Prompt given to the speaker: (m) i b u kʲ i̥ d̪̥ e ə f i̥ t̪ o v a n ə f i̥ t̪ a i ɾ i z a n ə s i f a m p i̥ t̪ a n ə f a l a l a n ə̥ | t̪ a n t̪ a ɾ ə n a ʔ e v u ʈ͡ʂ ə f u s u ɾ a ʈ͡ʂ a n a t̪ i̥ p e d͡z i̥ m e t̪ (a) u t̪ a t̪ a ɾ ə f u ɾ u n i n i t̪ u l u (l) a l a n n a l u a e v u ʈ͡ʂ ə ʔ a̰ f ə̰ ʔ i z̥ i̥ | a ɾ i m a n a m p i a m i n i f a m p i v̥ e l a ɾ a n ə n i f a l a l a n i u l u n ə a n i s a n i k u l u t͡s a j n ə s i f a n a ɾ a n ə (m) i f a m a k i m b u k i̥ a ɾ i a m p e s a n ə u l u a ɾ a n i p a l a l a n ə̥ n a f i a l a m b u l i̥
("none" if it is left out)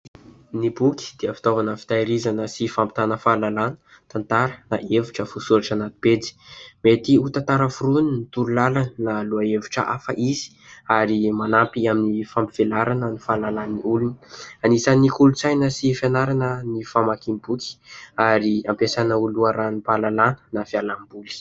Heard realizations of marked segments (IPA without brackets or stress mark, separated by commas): n, i, l, n